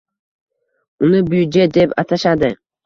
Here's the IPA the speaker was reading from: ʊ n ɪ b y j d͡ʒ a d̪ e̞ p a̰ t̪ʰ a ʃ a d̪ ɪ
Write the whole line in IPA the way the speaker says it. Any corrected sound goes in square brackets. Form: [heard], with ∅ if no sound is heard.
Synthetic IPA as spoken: ʊ n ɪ b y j d͡ʒ [e] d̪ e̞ p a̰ t̪ʰ a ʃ a d̪ ɪ